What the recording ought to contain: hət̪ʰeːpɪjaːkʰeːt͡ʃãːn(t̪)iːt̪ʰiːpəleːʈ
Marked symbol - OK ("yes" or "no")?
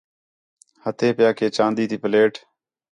no